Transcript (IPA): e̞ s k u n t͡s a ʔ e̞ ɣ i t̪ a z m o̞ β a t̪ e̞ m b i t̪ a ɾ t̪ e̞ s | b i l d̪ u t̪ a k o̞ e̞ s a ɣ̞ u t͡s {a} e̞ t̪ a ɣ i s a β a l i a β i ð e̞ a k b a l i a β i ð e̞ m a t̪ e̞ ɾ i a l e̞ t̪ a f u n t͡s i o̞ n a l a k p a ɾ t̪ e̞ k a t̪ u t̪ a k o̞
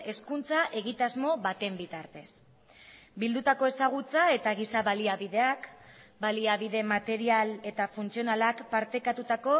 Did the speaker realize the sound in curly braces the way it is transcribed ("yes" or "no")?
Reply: yes